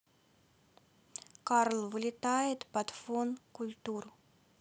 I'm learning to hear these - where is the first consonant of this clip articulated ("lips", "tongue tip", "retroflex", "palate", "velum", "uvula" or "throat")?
velum